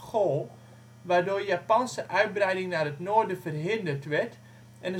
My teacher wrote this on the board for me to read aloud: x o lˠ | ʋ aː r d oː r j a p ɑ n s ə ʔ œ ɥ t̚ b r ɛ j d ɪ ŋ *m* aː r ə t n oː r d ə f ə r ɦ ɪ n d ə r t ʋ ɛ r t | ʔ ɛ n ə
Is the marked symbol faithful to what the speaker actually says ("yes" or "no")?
no